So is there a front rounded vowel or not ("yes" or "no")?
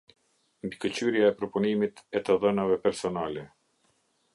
yes